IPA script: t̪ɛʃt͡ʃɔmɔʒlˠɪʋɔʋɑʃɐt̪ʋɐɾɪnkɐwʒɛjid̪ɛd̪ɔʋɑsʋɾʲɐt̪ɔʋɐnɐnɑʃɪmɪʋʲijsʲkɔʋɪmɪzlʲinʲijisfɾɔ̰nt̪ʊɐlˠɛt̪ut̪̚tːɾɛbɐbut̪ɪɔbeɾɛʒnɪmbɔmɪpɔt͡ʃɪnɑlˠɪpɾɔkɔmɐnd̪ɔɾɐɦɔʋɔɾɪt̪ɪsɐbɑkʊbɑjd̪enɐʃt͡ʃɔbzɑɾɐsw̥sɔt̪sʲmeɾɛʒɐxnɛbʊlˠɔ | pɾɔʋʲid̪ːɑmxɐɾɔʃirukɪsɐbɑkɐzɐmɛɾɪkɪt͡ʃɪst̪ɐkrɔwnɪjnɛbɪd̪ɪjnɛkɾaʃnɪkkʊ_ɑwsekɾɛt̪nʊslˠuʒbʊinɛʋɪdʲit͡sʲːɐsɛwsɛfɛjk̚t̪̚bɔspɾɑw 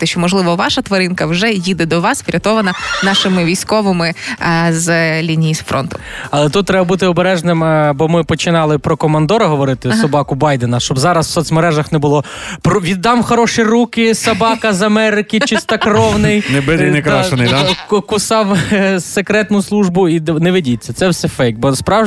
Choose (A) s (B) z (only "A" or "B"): A